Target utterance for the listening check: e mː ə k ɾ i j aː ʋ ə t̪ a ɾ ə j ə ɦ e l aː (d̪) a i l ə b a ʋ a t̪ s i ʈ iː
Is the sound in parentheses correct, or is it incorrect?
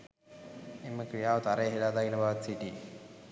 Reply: correct